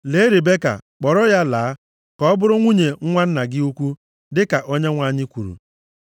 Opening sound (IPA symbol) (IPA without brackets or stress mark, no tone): l